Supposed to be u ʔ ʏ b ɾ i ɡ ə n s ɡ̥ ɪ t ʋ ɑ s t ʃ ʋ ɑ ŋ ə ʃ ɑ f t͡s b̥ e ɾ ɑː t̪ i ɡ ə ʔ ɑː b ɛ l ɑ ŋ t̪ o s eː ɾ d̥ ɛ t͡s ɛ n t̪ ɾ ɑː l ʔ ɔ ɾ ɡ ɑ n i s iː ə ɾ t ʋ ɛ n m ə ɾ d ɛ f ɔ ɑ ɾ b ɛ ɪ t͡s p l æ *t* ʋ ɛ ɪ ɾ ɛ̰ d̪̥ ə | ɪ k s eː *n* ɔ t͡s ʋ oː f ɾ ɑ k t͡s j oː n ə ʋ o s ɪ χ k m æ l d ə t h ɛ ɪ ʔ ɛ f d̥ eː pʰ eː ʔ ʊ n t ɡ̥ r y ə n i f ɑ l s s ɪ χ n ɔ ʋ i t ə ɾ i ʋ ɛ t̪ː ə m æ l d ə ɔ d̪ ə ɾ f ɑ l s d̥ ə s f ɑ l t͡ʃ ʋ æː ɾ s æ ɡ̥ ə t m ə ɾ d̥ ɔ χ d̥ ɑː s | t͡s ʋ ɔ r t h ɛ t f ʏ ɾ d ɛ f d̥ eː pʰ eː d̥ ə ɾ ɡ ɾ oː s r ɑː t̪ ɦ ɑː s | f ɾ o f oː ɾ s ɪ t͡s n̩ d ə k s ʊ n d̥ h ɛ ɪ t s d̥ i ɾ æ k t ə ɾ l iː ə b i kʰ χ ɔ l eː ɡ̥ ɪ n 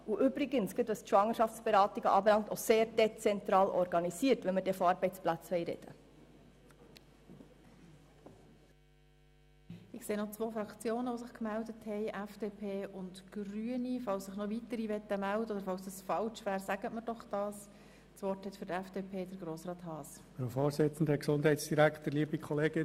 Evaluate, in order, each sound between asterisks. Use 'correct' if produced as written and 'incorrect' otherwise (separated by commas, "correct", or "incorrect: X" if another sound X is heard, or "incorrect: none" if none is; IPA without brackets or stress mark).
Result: incorrect: t͡s, correct